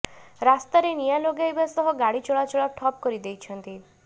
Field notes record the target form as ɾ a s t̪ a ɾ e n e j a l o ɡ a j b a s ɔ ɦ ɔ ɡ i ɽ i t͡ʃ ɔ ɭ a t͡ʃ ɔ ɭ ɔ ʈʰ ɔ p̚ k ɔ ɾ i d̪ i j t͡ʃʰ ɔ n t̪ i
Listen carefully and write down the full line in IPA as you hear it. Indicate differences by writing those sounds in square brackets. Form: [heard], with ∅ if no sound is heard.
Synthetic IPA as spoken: ɾ a s t̪ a ɾ e n [i] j a l o ɡ a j b a s ɔ ɦ ɔ ɡ [a] ɽ i t͡ʃ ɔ ɭ a t͡ʃ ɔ ɭ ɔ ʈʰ ɔ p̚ k ɔ ɾ i d̪ [e] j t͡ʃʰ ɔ n t̪ i